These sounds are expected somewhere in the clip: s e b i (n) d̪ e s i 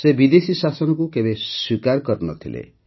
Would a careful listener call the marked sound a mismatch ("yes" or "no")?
yes